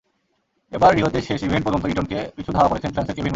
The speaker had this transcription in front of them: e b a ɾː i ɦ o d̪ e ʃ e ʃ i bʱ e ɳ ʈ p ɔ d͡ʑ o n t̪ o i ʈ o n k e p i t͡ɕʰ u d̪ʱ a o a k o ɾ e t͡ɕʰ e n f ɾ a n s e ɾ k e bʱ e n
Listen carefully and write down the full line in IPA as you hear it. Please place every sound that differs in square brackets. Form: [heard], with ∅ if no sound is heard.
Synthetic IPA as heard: e b a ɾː i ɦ o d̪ e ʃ e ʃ i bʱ e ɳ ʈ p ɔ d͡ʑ o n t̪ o i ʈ o n k e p i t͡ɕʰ u d̪ʱ a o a k o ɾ e t͡ɕʰ e n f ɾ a n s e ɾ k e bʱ [i] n